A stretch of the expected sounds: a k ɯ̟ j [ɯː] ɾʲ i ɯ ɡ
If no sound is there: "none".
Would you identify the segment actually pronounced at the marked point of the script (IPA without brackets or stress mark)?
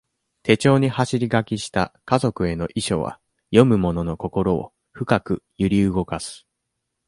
ɯ